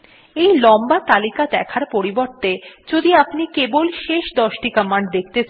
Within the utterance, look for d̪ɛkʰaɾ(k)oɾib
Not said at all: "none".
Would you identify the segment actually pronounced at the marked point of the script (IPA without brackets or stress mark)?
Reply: p